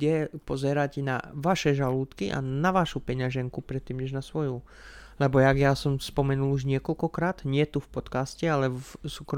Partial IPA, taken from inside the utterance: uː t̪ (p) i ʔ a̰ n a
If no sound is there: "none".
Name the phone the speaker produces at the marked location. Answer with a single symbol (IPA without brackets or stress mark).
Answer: k